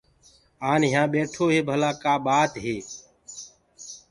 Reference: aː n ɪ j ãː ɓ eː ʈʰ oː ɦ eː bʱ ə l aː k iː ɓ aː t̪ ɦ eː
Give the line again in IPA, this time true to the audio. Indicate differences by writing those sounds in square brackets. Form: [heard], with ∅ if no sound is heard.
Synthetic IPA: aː n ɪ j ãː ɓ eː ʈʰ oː ɦ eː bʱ ə l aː k [aː] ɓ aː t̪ ɦ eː